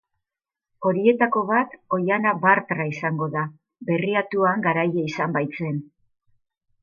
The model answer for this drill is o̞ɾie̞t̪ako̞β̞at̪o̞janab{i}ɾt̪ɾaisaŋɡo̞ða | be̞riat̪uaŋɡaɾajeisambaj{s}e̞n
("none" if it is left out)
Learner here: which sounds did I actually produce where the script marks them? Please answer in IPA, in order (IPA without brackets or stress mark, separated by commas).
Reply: a, t͡s